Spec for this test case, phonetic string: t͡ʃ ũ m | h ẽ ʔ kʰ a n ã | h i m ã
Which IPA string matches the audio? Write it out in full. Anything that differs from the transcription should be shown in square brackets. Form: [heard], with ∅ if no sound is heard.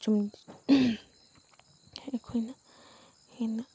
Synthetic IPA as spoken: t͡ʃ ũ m | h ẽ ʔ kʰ [i] n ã | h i [n] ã